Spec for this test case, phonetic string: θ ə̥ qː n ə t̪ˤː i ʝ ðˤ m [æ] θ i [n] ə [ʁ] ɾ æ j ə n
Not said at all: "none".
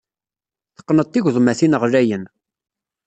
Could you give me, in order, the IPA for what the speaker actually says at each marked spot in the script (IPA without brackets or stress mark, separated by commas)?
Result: æ, n, ʁ